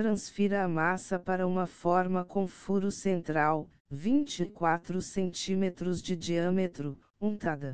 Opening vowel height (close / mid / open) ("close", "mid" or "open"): open